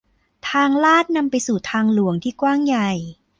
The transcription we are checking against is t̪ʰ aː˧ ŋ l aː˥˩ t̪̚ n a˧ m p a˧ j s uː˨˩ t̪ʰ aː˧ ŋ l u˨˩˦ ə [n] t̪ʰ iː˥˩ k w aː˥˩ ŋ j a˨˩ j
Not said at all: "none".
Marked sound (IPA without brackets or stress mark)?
ŋ